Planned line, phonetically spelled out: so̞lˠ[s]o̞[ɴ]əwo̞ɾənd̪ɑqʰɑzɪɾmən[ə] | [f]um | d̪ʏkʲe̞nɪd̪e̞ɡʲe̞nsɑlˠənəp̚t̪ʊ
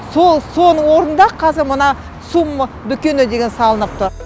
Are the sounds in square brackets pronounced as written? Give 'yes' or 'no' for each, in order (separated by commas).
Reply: yes, no, no, no